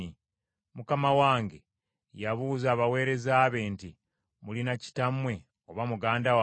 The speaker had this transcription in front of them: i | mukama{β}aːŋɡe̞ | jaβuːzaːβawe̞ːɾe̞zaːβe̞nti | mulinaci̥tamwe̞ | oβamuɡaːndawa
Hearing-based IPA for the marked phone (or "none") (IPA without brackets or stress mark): w